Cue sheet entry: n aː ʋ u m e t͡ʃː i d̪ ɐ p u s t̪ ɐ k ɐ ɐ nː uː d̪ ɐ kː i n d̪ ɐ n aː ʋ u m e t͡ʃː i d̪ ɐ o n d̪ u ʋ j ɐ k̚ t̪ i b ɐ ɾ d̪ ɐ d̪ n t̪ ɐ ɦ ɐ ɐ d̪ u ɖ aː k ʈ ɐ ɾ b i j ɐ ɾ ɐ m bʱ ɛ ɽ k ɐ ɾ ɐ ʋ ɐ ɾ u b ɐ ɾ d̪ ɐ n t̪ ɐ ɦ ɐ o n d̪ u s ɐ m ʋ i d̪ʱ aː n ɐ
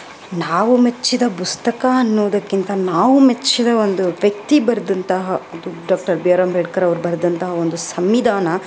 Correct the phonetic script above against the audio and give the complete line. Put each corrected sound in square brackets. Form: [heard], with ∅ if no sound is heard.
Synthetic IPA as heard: n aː ʋ u m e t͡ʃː i d̪ ɐ p u s t̪ ɐ k ɐ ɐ nː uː d̪ ɐ kː i n [t̪] ɐ n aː ʋ u m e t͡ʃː i d̪ ɐ o n d̪ u ʋ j ɐ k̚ t̪ i b ɐ ɾ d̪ ɐ [∅] n t̪ ɐ ɦ ɐ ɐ d̪ u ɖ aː k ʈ ɐ ɾ b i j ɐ ɾ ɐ m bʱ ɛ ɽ k ɐ ɾ ɐ ʋ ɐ ɾ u b ɐ ɾ d̪ ɐ n t̪ ɐ ɦ ɐ o n d̪ u s ɐ m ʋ i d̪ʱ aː n ɐ

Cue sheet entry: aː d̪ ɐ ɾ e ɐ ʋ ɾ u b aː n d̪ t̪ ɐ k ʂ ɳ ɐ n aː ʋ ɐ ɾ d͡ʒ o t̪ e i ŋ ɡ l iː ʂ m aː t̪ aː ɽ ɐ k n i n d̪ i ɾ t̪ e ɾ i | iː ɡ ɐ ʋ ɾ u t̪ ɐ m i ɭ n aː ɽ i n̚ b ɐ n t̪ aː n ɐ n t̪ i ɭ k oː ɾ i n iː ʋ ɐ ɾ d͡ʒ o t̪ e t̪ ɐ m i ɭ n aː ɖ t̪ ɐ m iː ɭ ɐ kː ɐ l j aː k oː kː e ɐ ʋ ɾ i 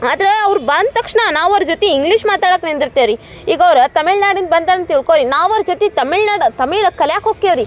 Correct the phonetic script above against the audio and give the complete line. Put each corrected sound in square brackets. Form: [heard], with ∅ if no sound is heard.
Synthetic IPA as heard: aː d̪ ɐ ɾ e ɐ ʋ ɾ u b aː n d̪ t̪ ɐ k ʂ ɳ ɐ n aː ʋ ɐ ɾ d͡ʒ o t̪ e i ŋ ɡ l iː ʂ m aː t̪ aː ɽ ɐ k n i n d̪ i ɾ t̪ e ɾ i | iː ɡ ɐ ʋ ɾ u t̪ ɐ m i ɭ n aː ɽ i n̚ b ɐ n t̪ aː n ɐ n t̪ i ɭ k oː ɾ i n [aː] ʋ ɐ ɾ d͡ʒ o t̪ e t̪ ɐ m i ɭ n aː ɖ t̪ ɐ m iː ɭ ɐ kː ɐ l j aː k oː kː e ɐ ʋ ɾ i

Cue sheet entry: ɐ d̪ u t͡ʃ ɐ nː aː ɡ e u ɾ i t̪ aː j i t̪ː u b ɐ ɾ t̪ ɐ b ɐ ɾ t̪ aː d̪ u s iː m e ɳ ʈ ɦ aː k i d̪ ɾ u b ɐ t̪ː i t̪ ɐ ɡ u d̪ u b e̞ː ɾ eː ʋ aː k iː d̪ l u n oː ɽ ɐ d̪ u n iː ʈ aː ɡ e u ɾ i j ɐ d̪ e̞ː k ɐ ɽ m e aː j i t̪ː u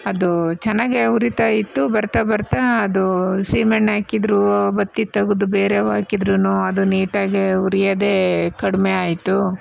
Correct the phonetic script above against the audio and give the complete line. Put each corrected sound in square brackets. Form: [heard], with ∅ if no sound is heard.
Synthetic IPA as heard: ɐ d̪ u t͡ʃ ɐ nː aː ɡ e u ɾ i t̪ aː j i t̪ː u b ɐ ɾ t̪ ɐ b ɐ ɾ t̪ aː d̪ u s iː m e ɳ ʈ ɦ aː k i d̪ ɾ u b ɐ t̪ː i t̪ ɐ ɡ u d̪ u b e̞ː ɾ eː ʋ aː k [i] d̪ [ɾ] u n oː [∅] ɐ d̪ u n iː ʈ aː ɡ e u ɾ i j ɐ d̪ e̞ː k ɐ ɽ m e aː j i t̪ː u

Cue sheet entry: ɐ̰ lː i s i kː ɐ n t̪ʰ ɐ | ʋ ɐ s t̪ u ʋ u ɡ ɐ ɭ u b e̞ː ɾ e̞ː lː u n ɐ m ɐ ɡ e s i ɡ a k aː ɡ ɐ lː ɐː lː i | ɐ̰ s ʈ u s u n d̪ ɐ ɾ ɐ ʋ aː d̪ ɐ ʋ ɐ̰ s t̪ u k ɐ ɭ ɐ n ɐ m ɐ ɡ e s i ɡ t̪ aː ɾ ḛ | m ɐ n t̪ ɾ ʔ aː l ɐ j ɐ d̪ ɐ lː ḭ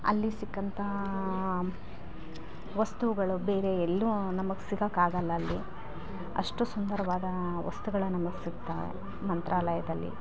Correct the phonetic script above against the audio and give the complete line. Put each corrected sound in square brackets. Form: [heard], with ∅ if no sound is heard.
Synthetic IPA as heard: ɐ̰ lː i s i kː ɐ n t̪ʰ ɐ | ʋ ɐ s t̪ u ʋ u ɡ ɐ ɭ u b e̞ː ɾ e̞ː lː u n ɐ m ɐ ɡ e s i ɡ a k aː ɡ ɐ lː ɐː lː i | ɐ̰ [ʂ] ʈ u s u n d̪ ɐ ɾ ɐ ʋ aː d̪ ɐ ʋ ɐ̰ s t̪ u [ɡ] ɐ ɭ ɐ n ɐ m ɐ ɡ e s i ɡ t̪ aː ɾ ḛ | m ɐ n t̪ ɾ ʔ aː l ɐ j ɐ d̪ ɐ lː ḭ

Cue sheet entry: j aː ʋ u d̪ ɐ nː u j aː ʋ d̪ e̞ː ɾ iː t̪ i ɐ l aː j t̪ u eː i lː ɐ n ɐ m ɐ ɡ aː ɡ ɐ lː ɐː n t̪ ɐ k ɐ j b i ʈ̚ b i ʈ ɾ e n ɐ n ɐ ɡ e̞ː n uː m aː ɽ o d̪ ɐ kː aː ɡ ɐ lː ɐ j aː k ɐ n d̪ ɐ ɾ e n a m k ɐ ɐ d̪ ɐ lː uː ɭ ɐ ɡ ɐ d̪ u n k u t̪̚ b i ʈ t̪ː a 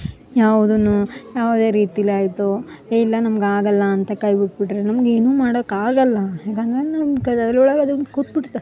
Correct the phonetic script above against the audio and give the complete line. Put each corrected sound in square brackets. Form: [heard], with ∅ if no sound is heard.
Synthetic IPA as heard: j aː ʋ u d̪ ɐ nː u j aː ʋ d̪ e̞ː ɾ iː t̪ i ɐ l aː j t̪ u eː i lː ɐ n ɐ m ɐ ɡ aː ɡ ɐ lː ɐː n t̪ ɐ k ɐ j b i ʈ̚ b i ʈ ɾ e n ɐ [m] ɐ ɡ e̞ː n uː m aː ɽ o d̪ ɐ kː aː ɡ ɐ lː ɐ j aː k ɐ n d̪ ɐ ɾ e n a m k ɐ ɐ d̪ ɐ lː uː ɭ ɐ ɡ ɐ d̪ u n k u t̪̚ b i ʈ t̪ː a

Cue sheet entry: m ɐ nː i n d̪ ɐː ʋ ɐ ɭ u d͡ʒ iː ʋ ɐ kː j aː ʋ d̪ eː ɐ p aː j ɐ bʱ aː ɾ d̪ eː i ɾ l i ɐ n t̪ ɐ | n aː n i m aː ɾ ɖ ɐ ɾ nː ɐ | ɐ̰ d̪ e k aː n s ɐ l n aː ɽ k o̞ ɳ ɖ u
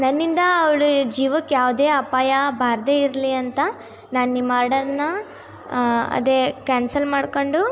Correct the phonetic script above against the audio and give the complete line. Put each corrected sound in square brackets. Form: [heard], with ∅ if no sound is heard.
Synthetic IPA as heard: [n] ɐ nː i n d̪ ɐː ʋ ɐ ɭ u d͡ʒ iː ʋ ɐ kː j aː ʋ d̪ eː ɐ p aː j ɐ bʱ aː ɾ d̪ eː i ɾ l i ɐ n t̪ ɐ | n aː n i m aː ɾ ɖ ɐ ɾ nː ɐ | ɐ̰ d̪ e k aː n s ɐ l [m] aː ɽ k o̞ ɳ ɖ u

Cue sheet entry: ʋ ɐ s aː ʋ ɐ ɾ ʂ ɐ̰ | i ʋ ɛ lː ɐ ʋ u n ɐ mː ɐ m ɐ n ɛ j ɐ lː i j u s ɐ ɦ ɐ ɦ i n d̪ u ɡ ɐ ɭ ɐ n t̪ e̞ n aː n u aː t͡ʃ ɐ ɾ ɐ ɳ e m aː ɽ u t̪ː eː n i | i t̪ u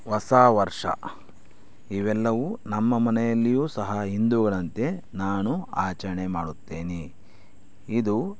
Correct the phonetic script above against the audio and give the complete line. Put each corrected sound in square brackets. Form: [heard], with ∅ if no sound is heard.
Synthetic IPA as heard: ʋ ɐ s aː ʋ ɐ ɾ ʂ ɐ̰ | i ʋ ɛ lː ɐ ʋ u n ɐ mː ɐ m ɐ n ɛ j ɐ lː i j [uː] s ɐ ɦ ɐ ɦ i n d̪ u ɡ ɐ ɭ ɐ n t̪ e̞ n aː n u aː t͡ʃ ɐ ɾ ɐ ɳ e m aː ɽ u t̪ː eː n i | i [d̪] u

